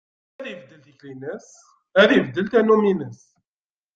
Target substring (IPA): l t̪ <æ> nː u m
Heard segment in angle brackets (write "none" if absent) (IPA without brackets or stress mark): æ